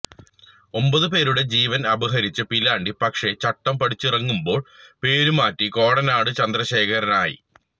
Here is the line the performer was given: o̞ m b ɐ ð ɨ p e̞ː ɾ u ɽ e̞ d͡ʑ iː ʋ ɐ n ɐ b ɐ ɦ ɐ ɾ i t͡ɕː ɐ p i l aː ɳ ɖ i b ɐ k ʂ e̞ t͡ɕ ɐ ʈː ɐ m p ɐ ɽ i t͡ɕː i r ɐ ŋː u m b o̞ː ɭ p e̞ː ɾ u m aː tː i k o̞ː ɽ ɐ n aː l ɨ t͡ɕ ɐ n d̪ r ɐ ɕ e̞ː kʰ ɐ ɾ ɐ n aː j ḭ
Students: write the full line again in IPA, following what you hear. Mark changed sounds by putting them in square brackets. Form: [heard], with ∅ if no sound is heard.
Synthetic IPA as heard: o̞ m b ɐ ð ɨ p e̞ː ɾ u ɽ e̞ d͡ʑ iː ʋ ɐ n ɐ b ɐ ɦ ɐ ɾ i t͡ɕː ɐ p i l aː ɳ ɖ i [p] ɐ k ʂ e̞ t͡ɕ ɐ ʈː ɐ m p ɐ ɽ i t͡ɕː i r ɐ ŋː u m b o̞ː ɭ p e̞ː ɾ u m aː tː i k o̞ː ɽ ɐ n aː [ɽ] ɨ t͡ɕ ɐ n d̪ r ɐ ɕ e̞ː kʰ ɐ ɾ ɐ n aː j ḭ